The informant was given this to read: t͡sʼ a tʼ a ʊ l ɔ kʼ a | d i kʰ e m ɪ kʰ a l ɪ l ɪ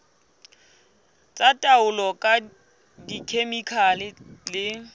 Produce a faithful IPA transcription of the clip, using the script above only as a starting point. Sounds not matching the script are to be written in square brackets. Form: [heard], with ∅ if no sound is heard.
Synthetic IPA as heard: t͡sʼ a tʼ a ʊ l ɔ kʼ a | d i kʰ e m [i] kʰ a l ɪ l ɪ